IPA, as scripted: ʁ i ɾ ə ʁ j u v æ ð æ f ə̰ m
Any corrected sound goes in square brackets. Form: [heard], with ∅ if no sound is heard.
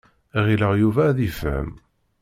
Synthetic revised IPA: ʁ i [l] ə ʁ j u v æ ð [i] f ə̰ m